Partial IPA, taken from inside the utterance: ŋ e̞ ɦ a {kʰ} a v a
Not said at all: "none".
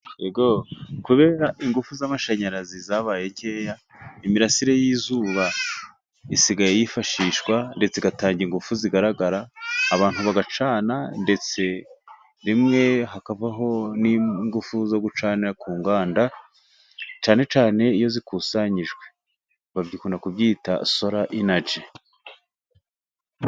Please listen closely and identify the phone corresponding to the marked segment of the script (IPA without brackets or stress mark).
k